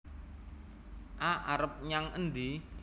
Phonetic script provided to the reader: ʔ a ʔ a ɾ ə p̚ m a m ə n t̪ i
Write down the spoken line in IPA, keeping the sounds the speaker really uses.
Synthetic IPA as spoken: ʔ a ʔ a ɾ ə p̚ ɲ a ŋ ə n d̪ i